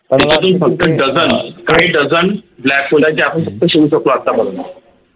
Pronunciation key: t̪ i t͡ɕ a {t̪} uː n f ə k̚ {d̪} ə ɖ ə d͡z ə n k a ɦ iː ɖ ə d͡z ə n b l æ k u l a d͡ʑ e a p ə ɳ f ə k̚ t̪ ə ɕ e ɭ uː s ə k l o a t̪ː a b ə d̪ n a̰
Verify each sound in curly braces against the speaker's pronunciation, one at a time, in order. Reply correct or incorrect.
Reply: correct, incorrect

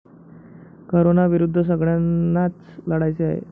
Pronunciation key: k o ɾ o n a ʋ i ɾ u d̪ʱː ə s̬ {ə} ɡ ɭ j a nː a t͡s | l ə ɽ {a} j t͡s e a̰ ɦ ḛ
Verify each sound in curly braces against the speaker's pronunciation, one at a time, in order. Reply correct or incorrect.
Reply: correct, correct

